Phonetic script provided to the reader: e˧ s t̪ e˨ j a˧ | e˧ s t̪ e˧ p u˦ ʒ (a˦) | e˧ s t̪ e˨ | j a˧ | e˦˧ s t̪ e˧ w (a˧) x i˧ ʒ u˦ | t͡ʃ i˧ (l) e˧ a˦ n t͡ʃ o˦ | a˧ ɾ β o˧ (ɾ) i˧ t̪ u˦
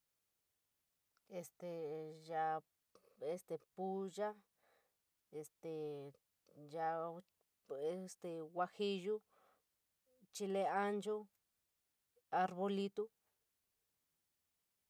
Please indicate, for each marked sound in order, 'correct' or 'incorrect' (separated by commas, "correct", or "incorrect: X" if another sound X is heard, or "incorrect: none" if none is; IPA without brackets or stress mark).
correct, correct, correct, incorrect: l